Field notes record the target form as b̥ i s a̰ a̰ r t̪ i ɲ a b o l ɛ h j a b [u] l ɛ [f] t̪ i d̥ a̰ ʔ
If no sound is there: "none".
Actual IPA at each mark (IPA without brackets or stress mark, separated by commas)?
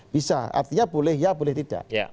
o, h